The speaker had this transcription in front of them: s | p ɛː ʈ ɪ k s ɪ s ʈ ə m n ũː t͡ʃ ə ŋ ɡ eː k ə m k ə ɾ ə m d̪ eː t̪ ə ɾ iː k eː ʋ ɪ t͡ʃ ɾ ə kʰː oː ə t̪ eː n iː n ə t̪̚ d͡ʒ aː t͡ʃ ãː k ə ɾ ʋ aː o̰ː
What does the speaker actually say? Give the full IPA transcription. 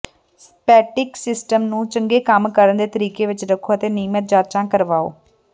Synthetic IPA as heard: s | p ɛː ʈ ɪ k s ɪ s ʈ ə m n ũː t͡ʃ ə ŋ ɡ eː k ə m k ə ɾ ə n d̪ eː t̪ ə ɾ iː k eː ʋ ɪ t͡ʃ ɾ ə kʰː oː ə t̪ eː n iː m ə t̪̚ d͡ʒ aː t͡ʃ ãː k ə ɾ ʋ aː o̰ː